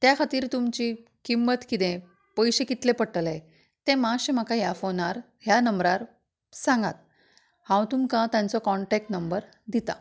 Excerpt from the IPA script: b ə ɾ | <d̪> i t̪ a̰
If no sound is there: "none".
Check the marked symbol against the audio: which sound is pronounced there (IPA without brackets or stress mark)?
d̪